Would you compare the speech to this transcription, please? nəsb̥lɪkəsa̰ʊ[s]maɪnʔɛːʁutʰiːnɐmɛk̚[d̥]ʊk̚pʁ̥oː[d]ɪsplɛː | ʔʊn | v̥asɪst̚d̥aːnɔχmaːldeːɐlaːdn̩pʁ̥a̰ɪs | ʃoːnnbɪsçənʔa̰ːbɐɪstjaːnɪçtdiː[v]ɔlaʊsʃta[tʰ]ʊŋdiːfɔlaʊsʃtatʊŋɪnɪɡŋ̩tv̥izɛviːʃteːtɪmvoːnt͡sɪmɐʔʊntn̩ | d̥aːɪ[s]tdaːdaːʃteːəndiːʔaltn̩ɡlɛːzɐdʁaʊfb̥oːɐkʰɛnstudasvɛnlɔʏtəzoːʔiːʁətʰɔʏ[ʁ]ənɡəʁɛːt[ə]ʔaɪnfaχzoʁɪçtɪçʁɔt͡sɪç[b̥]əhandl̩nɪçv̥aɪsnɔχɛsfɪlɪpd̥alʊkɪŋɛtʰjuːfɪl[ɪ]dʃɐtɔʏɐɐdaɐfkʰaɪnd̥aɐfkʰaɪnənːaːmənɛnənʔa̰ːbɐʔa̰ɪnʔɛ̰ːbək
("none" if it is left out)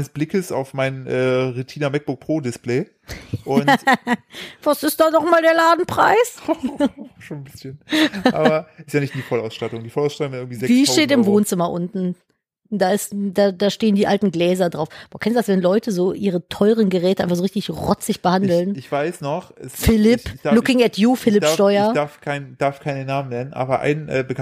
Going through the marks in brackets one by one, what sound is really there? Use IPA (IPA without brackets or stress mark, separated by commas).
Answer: f, b̥, d, f, t, s, ʁ, ə, b̥, ɪ